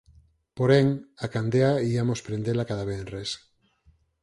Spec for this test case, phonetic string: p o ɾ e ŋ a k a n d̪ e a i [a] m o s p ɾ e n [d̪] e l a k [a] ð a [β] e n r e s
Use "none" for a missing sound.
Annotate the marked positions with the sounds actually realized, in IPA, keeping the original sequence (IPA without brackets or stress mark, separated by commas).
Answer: a, d̪, a, β